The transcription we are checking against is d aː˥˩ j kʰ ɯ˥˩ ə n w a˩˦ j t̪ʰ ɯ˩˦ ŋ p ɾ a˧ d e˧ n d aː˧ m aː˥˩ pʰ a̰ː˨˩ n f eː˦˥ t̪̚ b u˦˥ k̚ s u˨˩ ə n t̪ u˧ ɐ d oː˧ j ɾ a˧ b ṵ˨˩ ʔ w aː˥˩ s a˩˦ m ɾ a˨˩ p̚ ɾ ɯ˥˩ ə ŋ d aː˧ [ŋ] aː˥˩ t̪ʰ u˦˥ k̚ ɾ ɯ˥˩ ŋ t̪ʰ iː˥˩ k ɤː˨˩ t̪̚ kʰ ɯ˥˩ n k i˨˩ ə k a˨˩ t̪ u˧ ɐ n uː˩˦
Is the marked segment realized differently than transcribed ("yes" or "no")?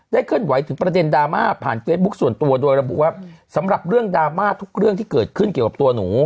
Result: yes